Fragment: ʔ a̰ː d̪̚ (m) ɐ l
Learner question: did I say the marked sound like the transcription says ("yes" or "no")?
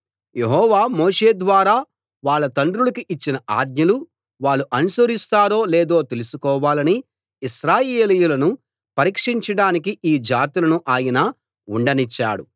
no